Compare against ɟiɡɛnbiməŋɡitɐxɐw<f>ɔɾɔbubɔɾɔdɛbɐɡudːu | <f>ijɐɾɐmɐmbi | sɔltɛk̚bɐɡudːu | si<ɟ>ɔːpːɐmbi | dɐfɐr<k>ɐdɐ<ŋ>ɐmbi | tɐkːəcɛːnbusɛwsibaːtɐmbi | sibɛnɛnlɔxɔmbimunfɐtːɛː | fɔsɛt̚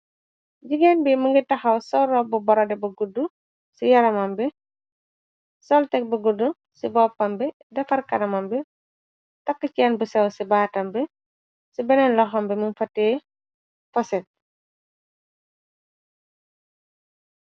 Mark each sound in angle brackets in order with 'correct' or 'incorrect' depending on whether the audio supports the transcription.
incorrect, incorrect, incorrect, correct, incorrect

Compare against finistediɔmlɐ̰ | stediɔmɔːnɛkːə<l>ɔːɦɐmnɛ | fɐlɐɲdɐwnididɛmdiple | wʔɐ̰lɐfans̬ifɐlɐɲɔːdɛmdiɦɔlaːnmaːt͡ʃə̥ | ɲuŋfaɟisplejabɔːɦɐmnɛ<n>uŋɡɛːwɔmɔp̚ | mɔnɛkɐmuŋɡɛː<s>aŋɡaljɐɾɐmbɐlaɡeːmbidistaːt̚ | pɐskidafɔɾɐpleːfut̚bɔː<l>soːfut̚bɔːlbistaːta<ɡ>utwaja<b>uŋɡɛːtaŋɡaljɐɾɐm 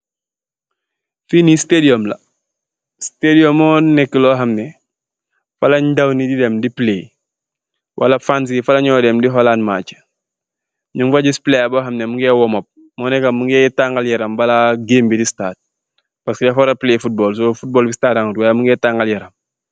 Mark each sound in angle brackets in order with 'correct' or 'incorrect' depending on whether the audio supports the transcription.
correct, incorrect, incorrect, correct, incorrect, incorrect

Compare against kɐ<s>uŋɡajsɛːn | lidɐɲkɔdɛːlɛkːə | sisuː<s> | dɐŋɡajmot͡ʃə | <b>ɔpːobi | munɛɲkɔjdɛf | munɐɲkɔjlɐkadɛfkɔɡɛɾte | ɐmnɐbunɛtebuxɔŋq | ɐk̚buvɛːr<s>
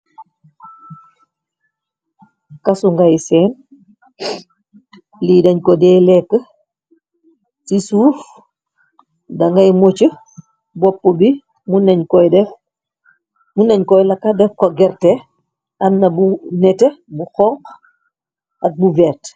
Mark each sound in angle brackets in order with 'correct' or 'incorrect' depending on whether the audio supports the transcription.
correct, incorrect, correct, incorrect

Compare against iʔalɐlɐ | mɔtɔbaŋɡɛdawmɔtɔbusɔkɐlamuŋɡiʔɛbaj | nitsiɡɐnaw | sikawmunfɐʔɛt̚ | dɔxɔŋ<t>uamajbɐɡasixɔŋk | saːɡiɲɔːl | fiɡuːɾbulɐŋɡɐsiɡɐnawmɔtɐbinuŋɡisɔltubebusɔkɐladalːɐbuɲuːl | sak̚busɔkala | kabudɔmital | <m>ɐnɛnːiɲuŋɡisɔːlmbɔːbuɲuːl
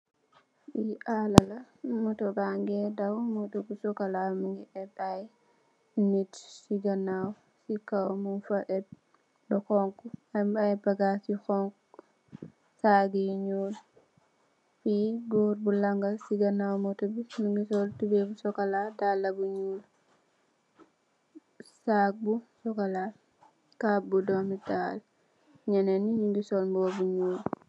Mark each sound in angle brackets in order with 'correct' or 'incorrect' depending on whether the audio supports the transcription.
incorrect, incorrect

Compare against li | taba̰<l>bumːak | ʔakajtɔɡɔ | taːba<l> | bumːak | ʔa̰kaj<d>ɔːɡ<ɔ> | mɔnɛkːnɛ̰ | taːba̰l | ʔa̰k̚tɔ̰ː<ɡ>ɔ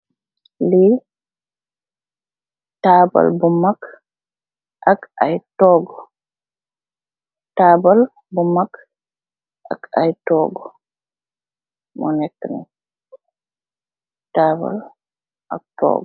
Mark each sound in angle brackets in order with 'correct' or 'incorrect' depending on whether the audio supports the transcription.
correct, correct, incorrect, correct, correct

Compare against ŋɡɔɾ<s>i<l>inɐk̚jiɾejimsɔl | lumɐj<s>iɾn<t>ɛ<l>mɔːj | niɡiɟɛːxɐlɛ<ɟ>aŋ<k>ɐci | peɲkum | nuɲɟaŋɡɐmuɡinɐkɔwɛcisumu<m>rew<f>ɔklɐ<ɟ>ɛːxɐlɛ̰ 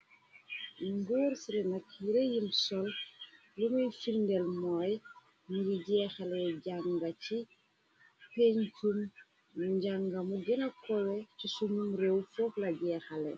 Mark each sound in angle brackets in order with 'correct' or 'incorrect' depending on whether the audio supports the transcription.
correct, incorrect, incorrect, incorrect, correct, correct, incorrect, correct, correct, correct

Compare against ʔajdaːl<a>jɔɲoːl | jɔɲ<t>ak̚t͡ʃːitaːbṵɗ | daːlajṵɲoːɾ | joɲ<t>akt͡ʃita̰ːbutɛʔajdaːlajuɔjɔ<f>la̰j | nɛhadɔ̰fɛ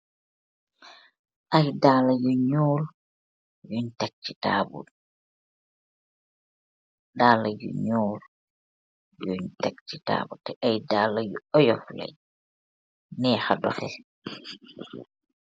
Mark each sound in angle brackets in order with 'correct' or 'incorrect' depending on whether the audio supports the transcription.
correct, correct, correct, correct

